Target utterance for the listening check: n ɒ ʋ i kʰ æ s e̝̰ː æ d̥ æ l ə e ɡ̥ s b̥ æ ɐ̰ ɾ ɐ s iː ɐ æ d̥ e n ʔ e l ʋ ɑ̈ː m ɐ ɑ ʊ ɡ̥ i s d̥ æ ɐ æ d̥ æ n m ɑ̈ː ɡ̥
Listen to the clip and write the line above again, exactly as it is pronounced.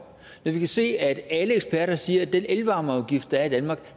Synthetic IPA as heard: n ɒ ʋ i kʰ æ s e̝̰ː æ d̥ æ l ə e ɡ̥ s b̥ æ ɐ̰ ɾ ɐ s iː ɐ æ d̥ e n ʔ e l ʋ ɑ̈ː m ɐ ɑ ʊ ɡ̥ i f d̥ æ ɐ i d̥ æ n m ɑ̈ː ɡ̥